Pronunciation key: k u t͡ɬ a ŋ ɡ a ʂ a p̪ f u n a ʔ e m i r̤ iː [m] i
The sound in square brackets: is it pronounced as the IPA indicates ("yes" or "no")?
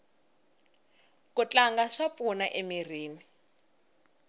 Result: no